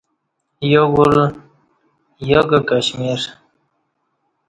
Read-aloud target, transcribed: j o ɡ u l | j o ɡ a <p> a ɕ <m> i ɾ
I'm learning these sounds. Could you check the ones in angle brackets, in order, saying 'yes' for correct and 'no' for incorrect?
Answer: no, yes

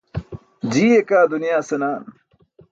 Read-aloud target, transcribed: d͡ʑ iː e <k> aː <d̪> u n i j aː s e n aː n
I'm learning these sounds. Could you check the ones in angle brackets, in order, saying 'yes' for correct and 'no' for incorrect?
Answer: yes, yes

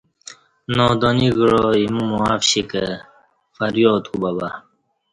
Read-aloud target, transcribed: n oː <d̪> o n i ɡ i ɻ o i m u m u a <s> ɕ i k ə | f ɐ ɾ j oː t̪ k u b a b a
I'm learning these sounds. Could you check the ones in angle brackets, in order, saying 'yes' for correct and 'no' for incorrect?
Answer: yes, no

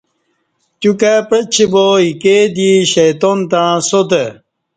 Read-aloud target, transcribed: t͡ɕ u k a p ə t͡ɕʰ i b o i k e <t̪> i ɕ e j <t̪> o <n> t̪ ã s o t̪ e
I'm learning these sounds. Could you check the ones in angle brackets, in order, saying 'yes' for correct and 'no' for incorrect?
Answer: no, yes, yes

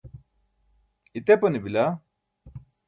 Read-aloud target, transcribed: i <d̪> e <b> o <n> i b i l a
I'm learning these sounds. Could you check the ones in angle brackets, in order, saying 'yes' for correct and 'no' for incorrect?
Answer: no, no, yes

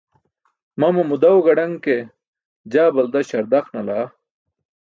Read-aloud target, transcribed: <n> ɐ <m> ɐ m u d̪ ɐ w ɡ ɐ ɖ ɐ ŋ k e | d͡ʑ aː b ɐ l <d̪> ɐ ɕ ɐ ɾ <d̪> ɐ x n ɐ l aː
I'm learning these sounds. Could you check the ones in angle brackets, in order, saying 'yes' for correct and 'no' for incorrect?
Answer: no, yes, yes, yes

